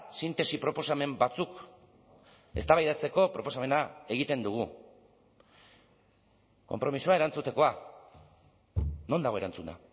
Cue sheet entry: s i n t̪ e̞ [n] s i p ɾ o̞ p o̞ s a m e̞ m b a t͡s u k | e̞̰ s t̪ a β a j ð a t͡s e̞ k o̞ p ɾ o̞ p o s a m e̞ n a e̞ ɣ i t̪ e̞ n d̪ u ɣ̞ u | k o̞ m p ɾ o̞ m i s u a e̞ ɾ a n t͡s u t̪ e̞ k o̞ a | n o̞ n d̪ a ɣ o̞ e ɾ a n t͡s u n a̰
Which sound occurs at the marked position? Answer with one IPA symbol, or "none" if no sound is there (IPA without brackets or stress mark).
none